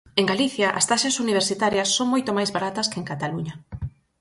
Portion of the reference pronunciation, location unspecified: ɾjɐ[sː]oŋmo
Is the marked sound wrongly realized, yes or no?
no